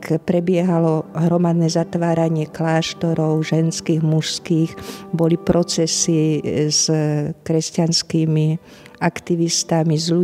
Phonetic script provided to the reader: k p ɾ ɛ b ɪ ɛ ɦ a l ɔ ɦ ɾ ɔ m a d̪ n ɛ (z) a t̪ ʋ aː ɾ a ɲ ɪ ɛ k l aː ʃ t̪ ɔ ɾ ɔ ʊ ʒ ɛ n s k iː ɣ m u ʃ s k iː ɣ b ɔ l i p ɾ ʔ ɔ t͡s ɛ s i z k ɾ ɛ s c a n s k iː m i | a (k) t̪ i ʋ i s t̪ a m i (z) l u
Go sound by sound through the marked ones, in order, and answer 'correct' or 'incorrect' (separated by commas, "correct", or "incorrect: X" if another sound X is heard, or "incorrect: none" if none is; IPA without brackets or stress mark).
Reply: correct, correct, correct